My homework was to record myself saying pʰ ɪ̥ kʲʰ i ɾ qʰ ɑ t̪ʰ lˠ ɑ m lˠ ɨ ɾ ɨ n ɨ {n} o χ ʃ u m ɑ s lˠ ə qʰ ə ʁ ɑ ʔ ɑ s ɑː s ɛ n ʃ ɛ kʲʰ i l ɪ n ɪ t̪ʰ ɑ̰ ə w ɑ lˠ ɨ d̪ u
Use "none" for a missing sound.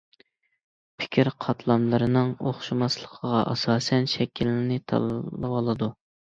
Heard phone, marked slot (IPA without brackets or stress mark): ŋ